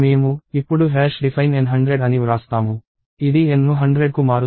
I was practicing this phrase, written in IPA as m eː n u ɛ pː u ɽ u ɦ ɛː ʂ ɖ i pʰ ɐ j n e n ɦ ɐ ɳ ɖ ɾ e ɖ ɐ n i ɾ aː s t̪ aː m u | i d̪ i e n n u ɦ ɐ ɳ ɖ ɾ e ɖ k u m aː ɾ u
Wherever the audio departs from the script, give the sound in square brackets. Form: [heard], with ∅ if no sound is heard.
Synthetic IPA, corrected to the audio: m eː [m] u [i] pː u ɽ u ɦ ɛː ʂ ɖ i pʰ ɐ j n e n ɦ ɐ ɳ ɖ ɾ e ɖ ɐ n i ɾ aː s t̪ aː m u | i d̪ i e n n u ɦ ɐ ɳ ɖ ɾ e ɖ k u m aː ɾ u